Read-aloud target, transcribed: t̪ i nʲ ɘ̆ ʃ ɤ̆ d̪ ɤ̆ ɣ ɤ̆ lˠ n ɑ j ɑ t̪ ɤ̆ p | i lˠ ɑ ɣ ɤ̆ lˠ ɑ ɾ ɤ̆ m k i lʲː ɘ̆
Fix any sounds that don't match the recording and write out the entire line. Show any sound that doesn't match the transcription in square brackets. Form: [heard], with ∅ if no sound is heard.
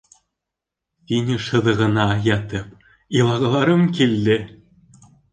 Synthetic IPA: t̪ i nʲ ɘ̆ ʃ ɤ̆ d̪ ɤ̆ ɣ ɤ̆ [∅] n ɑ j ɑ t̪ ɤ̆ p | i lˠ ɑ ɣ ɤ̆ lˠ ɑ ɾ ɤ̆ m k i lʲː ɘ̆